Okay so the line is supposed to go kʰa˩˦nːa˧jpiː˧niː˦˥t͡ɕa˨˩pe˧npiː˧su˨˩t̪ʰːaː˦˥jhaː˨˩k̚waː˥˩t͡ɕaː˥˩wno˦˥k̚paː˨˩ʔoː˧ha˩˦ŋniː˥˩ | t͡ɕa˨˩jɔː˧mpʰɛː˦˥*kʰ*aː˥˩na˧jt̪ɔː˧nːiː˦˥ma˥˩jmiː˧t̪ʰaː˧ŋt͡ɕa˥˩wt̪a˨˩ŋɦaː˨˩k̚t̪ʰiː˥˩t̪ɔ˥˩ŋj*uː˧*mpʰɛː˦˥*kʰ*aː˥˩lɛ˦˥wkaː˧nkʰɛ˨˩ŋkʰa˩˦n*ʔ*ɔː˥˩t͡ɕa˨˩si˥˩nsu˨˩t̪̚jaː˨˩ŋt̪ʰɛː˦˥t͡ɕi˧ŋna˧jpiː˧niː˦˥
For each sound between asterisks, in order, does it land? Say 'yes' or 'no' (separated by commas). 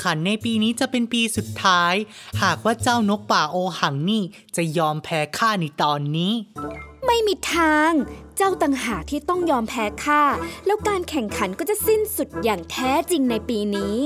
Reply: yes, no, yes, no